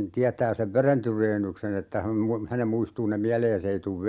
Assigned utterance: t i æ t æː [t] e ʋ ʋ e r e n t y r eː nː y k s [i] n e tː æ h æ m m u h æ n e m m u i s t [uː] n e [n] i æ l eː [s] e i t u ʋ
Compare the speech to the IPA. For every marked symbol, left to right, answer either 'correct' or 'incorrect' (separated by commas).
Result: incorrect, incorrect, correct, incorrect, correct